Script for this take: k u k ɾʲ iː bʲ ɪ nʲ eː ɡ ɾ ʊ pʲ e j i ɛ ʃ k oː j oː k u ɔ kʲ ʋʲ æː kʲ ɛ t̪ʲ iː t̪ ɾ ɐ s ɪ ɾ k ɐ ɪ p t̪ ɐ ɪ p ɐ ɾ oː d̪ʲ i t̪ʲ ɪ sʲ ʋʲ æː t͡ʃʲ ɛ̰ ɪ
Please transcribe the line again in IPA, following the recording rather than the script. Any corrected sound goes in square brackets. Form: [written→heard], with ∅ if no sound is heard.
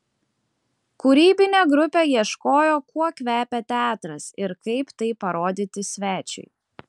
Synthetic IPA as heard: k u [k→∅] ɾʲ iː bʲ ɪ nʲ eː ɡ ɾ ʊ pʲ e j i ɛ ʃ k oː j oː k u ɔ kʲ ʋʲ æː [kʲ→pʲ] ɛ t̪ʲ [iː→æː] t̪ ɾ ɐ s ɪ ɾ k ɐ ɪ p t̪ ɐ ɪ p ɐ ɾ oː d̪ʲ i t̪ʲ ɪ sʲ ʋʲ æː t͡ʃʲ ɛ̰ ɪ